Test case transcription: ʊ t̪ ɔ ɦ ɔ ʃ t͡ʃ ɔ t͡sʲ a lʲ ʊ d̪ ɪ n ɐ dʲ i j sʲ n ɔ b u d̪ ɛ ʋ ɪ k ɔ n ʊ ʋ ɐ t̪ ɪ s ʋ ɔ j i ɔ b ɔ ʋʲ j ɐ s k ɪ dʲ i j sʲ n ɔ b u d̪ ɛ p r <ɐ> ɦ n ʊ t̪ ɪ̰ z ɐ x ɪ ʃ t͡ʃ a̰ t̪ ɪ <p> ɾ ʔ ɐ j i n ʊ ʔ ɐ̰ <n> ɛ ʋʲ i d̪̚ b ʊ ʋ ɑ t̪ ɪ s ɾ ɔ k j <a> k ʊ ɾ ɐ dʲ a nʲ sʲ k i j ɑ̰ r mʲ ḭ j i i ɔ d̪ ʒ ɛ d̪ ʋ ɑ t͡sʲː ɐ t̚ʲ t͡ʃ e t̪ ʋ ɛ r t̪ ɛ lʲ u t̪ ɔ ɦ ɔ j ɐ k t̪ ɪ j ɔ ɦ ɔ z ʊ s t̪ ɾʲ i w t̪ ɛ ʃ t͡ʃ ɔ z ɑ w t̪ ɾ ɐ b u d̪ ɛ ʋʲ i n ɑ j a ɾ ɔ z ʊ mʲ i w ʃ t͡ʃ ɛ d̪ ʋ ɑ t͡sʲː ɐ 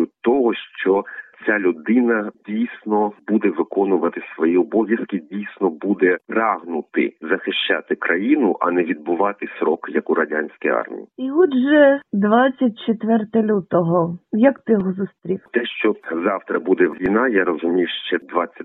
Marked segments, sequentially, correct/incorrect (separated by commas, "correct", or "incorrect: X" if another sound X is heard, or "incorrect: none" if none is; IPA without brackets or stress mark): incorrect: ɑ, incorrect: k, correct, incorrect: ɐ